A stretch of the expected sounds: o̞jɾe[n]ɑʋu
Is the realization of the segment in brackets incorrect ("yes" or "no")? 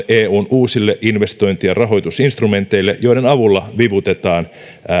no